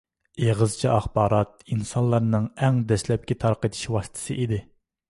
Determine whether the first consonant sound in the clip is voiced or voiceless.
voiced